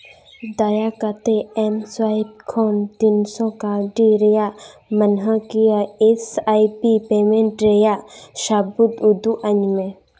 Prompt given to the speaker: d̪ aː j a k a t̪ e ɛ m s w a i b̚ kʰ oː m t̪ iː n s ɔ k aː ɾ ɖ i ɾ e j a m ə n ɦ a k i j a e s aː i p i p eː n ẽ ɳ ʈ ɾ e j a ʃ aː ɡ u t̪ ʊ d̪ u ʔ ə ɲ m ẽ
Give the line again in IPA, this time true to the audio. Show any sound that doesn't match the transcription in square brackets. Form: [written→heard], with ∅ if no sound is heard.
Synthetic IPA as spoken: d̪ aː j a k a t̪ e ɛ m s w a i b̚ kʰ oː [m→n] t̪ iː n s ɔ k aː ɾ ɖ i ɾ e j a m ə n ɦ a k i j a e s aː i p i p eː [n→m] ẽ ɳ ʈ ɾ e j a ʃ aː [ɡ→b] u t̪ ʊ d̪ u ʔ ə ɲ m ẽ